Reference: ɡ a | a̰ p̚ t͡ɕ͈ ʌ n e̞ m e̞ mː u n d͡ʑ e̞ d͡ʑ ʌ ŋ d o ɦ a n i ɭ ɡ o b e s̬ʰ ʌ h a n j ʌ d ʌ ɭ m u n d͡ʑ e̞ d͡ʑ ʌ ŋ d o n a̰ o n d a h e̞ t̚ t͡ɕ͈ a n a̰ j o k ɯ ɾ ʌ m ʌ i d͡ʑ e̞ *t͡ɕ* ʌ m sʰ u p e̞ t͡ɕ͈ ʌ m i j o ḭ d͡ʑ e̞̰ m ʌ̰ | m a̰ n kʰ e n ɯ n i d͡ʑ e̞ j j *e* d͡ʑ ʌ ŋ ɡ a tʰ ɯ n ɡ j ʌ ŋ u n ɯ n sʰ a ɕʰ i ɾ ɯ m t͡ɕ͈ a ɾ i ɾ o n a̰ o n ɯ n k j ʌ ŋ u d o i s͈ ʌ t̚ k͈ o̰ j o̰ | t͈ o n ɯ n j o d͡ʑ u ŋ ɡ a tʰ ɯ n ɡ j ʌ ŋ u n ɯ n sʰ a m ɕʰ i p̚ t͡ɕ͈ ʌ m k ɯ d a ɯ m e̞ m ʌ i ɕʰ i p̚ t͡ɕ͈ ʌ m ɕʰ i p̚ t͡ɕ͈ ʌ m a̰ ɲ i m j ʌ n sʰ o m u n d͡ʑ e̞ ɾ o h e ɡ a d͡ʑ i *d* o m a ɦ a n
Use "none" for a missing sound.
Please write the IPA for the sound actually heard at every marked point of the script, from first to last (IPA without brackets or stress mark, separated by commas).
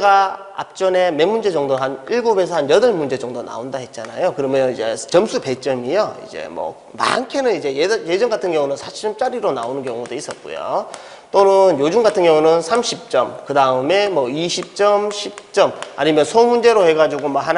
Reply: t͡ɕ, e, ɡ